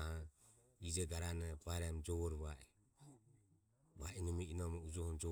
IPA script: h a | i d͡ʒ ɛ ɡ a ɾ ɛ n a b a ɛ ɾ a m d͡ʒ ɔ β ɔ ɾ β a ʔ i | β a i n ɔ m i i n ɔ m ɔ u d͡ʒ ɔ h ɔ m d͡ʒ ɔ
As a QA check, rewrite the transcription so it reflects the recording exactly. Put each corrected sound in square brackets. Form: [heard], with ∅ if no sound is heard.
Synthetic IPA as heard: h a | i d͡ʒ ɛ ɡ a ɾ [a] n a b a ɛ ɾ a m d͡ʒ ɔ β ɔ ɾ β a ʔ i | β a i n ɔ m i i n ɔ m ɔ u d͡ʒ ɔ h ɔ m d͡ʒ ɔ